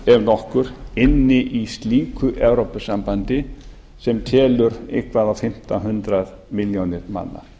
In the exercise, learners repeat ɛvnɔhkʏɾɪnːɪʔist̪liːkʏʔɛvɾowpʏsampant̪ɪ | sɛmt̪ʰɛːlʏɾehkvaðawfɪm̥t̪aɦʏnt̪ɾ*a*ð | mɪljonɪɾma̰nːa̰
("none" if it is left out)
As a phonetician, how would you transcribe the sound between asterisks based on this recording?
a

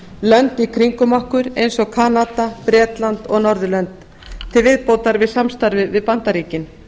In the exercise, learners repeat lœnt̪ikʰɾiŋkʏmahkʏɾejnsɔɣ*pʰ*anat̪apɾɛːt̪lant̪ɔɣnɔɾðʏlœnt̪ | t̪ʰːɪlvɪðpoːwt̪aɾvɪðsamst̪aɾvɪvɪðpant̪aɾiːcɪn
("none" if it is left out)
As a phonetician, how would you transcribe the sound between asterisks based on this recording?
kʰ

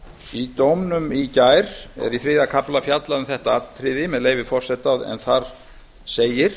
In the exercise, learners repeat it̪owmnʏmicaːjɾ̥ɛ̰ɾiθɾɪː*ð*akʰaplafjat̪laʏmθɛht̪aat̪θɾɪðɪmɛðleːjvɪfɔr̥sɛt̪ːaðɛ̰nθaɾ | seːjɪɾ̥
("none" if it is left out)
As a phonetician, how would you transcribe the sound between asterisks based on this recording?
ð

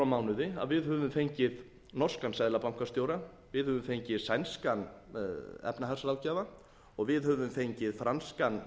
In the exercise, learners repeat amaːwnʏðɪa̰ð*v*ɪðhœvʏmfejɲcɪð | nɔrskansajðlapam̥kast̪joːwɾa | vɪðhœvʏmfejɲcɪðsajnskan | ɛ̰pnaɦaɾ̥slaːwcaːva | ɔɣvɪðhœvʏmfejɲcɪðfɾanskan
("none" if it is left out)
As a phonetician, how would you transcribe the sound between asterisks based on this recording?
v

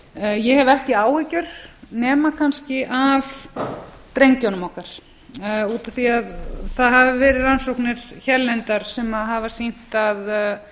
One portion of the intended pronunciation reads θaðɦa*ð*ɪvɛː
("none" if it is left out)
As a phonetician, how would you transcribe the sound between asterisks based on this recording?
v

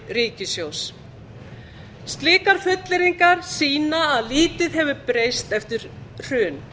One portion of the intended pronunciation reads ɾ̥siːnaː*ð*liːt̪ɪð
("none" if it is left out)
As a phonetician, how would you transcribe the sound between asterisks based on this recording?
ð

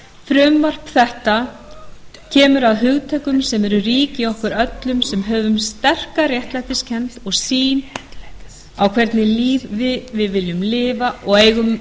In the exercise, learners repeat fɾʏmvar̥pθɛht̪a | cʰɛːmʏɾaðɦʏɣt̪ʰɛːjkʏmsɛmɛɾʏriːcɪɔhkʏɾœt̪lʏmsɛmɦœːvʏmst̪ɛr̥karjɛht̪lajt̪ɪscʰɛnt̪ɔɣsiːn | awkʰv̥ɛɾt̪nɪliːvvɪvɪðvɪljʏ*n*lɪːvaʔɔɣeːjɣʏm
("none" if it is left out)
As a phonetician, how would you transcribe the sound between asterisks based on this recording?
m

